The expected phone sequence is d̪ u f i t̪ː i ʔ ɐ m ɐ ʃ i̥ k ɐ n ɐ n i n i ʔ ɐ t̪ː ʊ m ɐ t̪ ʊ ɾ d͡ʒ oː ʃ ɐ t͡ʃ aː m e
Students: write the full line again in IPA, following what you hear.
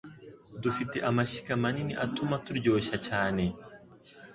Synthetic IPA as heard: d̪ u f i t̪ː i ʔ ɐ m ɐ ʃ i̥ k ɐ m ɐ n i n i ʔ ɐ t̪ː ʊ m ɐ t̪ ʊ ɾ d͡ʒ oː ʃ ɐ t͡ʃ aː n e